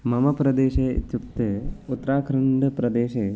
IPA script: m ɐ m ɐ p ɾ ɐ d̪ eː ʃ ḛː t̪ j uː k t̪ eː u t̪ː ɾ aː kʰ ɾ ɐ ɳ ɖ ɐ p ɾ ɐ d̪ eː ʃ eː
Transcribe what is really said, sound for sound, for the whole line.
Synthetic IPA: m ɐ m ɐ p ɾ ɐ d̪ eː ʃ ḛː t̪ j u k t̪ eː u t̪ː ɾ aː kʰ ɾ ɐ ɳ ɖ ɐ p ɾ ɐ d̪ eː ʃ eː